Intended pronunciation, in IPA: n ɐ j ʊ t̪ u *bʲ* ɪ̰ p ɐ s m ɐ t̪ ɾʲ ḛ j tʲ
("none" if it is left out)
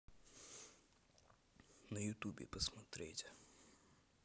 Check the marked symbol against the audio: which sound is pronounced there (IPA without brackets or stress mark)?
bʲ